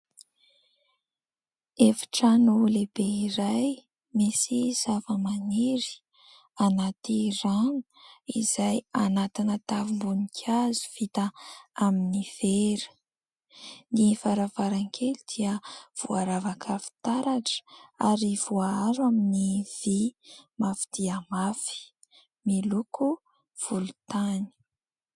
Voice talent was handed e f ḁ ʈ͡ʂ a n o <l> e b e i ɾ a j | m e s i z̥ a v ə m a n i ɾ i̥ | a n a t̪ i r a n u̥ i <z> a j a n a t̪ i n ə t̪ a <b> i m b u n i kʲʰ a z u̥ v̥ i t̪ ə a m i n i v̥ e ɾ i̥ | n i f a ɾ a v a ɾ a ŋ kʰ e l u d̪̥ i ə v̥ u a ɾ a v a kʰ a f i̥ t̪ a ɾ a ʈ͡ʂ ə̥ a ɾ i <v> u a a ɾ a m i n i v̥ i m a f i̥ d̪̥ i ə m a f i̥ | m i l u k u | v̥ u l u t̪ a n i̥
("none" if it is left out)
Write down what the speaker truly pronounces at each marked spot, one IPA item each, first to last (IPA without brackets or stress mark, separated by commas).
l, z, v, v